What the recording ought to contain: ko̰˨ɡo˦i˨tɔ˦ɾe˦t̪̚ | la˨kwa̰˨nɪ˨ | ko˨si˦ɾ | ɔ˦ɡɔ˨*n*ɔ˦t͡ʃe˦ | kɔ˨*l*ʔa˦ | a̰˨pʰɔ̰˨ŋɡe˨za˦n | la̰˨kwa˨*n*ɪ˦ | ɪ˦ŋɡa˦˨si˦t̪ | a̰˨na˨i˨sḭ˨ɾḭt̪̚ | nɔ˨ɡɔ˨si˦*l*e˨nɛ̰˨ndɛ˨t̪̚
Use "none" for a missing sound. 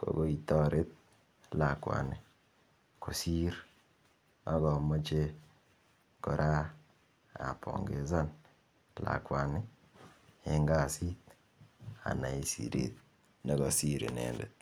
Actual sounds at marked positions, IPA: m, ɾ, n, ɾ

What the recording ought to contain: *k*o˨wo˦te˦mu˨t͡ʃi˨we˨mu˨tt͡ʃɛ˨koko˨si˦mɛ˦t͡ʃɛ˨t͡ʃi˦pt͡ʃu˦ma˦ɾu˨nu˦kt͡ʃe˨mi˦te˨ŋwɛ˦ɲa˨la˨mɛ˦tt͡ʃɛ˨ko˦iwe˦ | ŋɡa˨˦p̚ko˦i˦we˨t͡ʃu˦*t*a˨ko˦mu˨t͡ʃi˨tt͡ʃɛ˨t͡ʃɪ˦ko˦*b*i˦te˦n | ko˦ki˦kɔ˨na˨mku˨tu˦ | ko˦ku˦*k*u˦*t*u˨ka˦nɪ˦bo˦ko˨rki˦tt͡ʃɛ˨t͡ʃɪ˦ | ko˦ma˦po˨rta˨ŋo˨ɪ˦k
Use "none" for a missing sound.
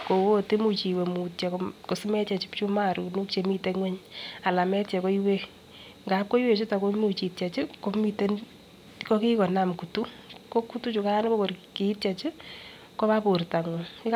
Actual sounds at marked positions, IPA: k, t, m, t, t͡ʃ

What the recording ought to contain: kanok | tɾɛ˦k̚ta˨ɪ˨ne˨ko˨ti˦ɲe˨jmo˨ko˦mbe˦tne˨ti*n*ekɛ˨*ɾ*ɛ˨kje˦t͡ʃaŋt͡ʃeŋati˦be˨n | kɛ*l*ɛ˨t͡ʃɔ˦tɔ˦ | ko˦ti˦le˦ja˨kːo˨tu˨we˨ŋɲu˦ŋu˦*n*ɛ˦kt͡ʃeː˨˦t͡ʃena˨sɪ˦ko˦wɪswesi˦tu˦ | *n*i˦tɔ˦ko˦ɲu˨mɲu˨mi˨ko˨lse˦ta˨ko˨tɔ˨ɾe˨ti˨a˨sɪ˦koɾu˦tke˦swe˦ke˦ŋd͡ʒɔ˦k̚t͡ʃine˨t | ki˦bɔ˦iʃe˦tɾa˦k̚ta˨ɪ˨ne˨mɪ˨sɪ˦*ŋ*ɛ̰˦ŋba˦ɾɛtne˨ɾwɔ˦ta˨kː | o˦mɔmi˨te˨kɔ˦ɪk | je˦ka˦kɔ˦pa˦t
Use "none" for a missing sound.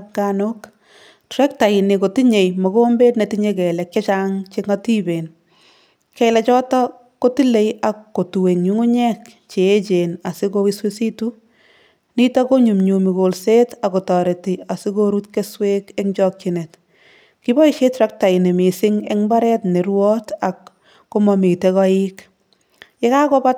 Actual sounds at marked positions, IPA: ɲ, l, l, ɲ, n, ŋ

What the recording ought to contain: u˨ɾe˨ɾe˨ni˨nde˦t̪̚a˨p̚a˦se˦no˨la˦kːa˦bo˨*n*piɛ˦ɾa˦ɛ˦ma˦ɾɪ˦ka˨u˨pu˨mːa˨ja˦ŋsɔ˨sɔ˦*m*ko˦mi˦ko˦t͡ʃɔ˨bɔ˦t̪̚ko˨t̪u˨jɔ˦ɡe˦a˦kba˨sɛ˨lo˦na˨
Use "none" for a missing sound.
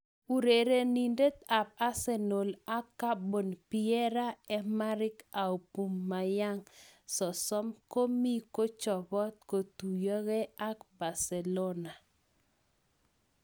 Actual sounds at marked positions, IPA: n, m

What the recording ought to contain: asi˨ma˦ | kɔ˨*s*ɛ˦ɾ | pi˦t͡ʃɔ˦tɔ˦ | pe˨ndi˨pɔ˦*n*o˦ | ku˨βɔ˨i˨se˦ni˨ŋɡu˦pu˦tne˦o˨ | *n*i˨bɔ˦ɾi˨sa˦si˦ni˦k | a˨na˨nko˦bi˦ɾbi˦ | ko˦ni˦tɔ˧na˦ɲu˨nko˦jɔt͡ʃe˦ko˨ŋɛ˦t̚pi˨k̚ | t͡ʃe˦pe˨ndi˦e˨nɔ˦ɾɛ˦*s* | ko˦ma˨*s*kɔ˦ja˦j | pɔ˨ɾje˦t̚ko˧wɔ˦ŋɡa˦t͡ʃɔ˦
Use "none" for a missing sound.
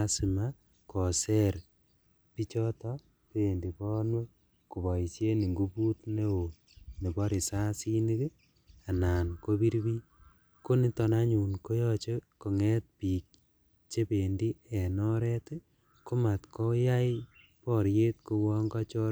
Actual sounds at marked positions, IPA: s, n, n, t, t

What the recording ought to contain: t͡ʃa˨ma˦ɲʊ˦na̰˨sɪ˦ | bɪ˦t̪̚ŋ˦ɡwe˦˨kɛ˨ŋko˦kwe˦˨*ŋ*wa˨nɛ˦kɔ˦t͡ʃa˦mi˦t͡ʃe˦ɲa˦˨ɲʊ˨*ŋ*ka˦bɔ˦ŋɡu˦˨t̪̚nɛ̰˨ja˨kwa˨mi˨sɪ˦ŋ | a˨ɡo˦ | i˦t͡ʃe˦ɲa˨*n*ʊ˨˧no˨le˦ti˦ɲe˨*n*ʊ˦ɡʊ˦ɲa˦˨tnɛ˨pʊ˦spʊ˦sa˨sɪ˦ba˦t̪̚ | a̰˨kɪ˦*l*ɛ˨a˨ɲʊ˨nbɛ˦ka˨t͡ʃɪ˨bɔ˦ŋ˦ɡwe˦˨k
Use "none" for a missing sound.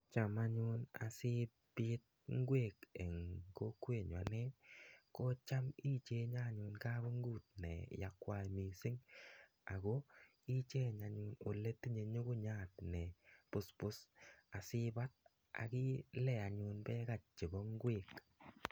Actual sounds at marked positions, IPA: ɲ, n, ɲ, ɲ, l

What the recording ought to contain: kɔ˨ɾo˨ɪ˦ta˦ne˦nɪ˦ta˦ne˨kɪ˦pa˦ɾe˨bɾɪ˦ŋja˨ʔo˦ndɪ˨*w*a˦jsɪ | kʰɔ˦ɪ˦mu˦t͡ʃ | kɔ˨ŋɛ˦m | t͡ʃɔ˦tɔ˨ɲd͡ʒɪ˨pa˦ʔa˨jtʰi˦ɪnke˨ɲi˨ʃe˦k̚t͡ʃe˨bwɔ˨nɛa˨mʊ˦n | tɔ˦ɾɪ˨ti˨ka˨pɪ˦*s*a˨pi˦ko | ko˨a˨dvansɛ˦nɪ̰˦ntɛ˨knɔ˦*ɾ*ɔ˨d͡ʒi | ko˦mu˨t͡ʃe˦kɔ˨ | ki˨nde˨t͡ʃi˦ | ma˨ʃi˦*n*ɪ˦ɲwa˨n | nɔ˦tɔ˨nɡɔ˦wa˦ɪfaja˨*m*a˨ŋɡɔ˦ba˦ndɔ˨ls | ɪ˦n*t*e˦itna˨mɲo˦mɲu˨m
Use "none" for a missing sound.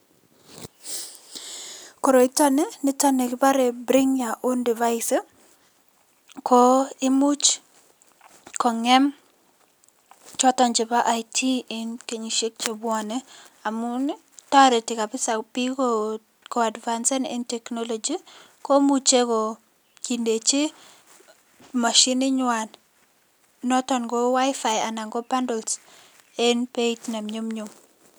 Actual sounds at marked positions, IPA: v, s, l, n, n, p

